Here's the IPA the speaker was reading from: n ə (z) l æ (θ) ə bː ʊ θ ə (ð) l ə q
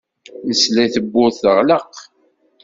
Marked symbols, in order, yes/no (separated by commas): no, yes, no